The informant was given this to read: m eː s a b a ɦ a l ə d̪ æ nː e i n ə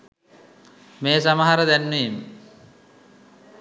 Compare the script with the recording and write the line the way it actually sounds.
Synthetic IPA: m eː s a m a ɦ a ɾ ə d̪ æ nː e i m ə